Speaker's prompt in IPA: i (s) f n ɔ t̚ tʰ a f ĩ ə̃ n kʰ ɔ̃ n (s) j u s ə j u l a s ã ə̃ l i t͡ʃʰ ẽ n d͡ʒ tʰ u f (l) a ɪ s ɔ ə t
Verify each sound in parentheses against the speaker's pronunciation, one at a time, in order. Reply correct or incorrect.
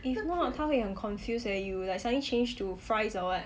incorrect: none, incorrect: f, incorrect: ɹ

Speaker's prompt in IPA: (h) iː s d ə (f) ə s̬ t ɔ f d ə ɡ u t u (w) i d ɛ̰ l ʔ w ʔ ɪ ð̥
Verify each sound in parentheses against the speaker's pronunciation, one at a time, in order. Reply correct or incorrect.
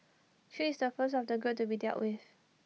incorrect: ʃ, correct, incorrect: b

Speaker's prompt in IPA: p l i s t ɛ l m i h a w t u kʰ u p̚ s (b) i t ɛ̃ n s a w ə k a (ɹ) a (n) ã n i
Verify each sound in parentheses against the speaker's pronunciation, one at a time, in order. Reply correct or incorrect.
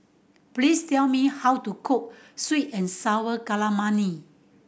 incorrect: w, incorrect: l, incorrect: m

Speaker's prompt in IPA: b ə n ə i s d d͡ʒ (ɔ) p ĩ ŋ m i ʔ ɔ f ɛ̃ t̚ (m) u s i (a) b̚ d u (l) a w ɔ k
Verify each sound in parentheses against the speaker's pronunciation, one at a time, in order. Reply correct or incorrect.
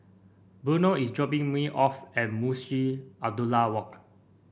correct, correct, correct, correct

